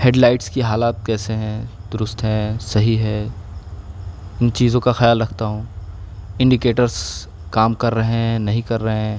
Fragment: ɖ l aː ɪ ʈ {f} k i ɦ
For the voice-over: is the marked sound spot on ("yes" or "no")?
no